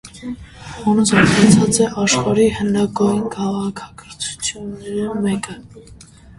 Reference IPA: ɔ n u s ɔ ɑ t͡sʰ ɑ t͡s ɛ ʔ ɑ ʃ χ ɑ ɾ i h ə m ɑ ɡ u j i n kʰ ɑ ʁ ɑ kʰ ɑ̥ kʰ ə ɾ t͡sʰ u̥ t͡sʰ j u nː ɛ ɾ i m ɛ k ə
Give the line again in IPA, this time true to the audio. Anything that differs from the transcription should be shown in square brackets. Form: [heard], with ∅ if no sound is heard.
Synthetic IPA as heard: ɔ n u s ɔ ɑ t͡sʰ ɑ t͡s ɛ ʔ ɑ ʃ χ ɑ ɾ i h ə [n] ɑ ɡ [ɔ] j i n kʰ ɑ ʁ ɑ kʰ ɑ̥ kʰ ə ɾ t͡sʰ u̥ t͡sʰ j u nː ɛ ɾ i m ɛ k ə